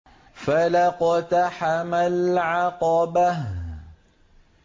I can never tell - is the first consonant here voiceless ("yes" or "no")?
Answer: yes